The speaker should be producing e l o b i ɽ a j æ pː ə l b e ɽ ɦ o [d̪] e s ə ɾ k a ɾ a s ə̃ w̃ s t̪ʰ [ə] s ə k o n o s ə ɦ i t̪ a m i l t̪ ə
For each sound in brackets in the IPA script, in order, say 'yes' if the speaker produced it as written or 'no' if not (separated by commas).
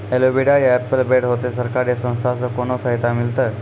no, no